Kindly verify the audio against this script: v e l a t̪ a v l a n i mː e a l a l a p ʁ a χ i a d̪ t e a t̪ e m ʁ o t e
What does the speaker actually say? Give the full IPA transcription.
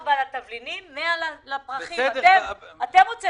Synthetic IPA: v a l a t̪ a v l i n i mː e a l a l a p ʁ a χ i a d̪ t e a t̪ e m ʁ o t͡s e